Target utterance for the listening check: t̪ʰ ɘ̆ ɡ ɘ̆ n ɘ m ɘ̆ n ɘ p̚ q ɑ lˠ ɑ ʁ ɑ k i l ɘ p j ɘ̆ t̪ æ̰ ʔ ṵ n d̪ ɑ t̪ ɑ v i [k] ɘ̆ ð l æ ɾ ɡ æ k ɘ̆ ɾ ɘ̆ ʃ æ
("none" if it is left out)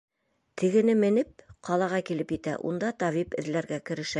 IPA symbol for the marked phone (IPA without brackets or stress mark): p